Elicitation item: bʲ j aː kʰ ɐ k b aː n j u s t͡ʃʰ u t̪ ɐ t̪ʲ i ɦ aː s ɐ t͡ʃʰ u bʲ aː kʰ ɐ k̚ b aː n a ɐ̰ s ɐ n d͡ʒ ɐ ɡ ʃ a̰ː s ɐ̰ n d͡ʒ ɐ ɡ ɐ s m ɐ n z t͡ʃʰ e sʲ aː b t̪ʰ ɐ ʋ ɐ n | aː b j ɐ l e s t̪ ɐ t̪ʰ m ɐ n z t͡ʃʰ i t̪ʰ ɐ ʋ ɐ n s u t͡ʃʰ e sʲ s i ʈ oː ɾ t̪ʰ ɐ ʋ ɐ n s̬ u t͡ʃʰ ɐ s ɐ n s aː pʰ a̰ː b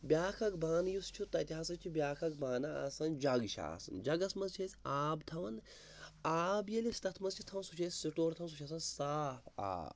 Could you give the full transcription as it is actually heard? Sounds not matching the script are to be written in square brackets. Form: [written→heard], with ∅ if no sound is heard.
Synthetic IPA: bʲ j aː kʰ ɐ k b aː n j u s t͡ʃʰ u t̪ ɐ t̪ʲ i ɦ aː s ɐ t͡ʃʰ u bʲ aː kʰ ɐ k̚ b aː n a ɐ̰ s ɐ n d͡ʒ ɐ ɡ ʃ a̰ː s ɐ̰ n d͡ʒ ɐ ɡ ɐ s m ɐ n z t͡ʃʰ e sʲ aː b t̪ʰ ɐ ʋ ɐ n | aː b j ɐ l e s t̪ ɐ t̪ʰ m ɐ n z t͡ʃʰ i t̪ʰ ɐ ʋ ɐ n s u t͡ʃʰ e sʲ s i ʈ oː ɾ t̪ʰ ɐ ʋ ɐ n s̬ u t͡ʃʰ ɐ s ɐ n s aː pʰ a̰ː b